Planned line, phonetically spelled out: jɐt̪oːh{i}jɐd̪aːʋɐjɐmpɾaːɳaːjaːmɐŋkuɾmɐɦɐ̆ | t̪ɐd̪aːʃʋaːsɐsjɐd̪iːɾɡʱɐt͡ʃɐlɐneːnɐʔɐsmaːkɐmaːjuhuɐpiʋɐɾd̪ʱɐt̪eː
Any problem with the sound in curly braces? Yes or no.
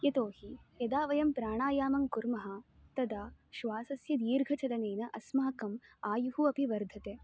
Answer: no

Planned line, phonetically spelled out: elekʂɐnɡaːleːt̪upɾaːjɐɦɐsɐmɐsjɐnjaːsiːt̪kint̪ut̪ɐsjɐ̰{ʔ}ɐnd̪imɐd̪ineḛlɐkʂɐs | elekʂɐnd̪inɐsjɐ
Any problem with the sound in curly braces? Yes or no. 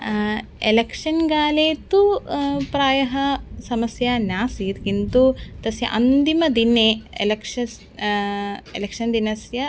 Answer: no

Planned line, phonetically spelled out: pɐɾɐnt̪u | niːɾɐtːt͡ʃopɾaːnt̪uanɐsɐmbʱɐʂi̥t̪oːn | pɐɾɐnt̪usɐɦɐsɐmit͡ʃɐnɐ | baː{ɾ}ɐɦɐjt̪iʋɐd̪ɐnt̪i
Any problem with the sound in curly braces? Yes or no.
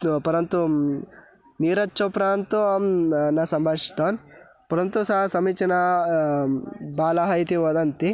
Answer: yes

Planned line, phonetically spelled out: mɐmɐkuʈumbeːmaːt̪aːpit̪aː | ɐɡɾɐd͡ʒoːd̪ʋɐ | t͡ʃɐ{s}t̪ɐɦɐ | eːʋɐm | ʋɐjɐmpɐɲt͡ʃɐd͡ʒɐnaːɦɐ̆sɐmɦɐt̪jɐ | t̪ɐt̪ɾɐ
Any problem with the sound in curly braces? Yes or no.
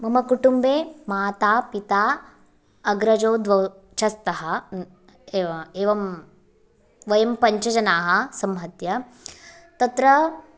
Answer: no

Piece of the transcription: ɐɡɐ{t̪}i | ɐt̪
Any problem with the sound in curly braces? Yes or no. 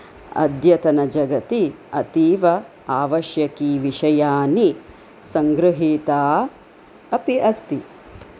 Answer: no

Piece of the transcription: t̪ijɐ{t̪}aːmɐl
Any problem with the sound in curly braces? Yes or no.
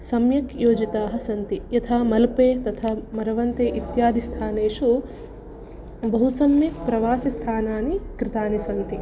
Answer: yes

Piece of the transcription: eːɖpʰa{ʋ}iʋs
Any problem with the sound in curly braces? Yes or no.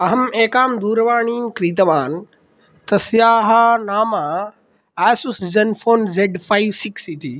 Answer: yes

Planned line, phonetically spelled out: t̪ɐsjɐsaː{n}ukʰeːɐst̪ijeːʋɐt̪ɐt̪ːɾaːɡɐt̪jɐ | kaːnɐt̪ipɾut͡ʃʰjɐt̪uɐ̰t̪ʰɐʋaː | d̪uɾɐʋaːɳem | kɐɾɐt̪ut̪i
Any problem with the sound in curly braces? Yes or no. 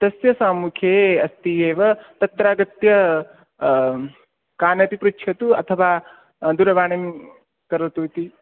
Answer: yes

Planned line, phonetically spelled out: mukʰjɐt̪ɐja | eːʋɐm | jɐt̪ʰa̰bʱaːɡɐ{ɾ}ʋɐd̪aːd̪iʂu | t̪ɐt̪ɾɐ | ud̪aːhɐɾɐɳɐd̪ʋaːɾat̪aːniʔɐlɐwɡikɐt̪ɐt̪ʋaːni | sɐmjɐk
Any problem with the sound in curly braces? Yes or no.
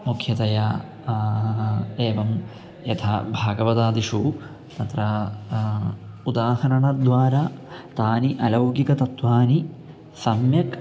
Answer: yes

